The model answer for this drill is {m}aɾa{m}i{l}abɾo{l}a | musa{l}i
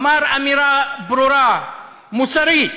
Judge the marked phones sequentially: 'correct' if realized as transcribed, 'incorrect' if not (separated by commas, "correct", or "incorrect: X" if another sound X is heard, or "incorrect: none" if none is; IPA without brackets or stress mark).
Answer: correct, correct, incorrect: ɾ, incorrect: ɾ, incorrect: ɾ